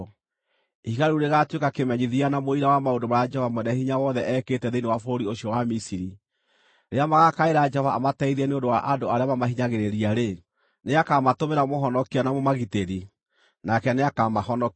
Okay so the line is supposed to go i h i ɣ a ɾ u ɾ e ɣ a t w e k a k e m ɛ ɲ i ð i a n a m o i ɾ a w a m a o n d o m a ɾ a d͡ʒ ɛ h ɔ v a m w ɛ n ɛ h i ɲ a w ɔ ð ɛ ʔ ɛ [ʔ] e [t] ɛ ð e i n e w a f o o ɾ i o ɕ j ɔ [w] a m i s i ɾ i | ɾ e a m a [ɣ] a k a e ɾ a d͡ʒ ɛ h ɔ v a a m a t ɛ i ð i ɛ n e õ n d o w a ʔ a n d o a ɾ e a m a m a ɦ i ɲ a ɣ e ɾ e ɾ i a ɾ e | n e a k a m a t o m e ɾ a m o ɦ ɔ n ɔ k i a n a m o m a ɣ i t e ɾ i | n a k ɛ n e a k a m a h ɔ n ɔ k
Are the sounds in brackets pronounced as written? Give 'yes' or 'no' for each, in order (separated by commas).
no, yes, yes, yes